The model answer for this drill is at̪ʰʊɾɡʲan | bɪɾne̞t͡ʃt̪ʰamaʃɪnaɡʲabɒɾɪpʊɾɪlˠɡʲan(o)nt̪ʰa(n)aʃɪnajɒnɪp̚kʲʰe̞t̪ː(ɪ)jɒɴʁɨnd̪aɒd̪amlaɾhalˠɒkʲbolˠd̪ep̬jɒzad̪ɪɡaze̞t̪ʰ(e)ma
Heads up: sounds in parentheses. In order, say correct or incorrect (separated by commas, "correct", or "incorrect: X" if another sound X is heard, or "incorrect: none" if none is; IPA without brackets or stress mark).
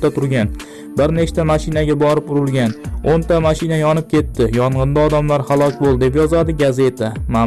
correct, incorrect: m, correct, incorrect: a